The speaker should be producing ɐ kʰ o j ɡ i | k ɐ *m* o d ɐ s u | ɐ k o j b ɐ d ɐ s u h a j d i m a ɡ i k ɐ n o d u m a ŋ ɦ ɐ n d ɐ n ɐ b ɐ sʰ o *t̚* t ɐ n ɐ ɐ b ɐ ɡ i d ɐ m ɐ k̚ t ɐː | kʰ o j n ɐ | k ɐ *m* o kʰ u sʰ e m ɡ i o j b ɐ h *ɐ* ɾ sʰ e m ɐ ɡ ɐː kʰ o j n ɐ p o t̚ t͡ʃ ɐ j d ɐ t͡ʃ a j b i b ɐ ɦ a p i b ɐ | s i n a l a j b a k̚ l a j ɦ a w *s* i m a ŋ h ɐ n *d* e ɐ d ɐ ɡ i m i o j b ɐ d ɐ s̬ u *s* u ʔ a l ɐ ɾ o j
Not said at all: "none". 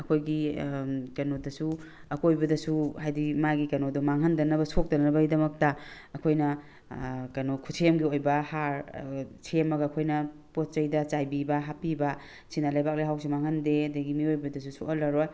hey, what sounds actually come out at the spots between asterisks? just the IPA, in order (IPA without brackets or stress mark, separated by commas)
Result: n, k̚, n, a, s, d, s